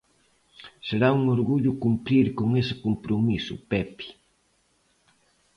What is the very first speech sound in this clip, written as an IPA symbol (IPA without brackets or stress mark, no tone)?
s